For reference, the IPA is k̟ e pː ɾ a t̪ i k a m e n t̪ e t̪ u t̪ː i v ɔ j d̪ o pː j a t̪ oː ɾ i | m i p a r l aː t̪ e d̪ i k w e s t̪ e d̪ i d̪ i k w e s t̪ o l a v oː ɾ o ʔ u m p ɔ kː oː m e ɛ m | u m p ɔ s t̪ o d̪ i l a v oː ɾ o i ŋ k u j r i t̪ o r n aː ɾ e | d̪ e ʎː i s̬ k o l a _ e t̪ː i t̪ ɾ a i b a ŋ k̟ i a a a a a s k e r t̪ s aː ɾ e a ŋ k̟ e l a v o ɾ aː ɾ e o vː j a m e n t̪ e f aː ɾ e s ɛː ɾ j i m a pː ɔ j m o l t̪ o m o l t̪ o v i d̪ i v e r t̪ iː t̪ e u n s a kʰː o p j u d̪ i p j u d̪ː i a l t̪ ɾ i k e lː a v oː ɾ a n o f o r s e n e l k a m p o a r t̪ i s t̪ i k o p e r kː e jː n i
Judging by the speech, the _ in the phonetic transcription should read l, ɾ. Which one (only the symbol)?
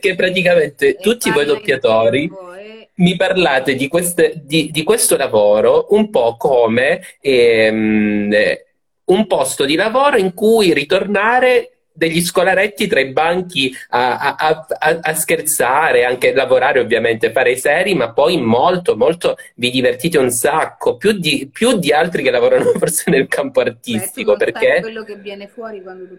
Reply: ɾ